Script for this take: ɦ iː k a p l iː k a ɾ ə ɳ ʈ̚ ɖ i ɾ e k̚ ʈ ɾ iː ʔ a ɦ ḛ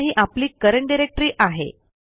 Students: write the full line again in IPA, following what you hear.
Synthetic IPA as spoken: ɦ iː ʔ a p l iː k ə ɾ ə ɳ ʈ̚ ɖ i ɾ e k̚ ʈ ɾ iː ʔ a ɦ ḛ